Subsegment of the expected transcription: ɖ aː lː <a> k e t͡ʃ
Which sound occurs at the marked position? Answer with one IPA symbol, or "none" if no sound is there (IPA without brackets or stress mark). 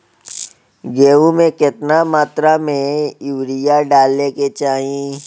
e